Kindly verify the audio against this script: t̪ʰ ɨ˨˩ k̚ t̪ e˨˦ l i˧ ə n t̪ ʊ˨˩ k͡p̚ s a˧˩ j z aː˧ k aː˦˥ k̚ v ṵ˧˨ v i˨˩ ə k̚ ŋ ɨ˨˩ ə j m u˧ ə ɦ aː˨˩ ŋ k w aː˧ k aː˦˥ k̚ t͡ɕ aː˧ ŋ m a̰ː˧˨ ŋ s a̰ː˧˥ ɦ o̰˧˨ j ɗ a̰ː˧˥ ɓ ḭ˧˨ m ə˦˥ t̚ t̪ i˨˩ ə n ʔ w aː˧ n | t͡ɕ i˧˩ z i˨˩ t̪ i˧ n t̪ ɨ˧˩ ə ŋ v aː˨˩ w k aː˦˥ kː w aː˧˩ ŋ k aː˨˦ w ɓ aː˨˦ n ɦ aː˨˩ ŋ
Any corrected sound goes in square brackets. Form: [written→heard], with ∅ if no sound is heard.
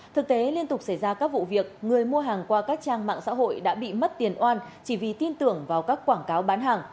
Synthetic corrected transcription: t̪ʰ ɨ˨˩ k̚ t̪ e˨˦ l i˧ ə n t̪ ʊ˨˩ k͡p̚ s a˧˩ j z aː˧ k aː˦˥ k̚ v ṵ˧˨ v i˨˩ ə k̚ ŋ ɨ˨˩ ə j m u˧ ə ɦ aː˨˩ ŋ k w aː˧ k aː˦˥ k̚ t͡ɕ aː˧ ŋ m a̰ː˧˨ ŋ s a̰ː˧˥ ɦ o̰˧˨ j ɗ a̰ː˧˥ ɓ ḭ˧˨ m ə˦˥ t̚ t̪ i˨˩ ə n ʔ w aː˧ n | t͡ɕ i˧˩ [z→v] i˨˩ t̪ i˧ n t̪ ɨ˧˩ ə ŋ v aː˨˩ w k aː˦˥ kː w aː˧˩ ŋ k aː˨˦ w ɓ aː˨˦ n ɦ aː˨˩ ŋ